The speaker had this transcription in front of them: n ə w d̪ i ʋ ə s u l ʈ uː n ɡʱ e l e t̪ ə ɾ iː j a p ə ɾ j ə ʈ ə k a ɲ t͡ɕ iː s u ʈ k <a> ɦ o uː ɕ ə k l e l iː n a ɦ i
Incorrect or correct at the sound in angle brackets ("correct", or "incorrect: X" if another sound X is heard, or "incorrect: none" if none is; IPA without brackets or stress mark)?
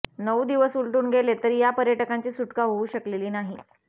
correct